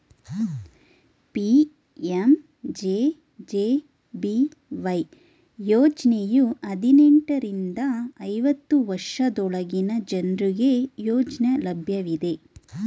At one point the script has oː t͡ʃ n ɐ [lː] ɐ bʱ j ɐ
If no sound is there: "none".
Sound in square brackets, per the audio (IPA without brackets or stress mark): l